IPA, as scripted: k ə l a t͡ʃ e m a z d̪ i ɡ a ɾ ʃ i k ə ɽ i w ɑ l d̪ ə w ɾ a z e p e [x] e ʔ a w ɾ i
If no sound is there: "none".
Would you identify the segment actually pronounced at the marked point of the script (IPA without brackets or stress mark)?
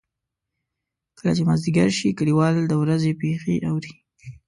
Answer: x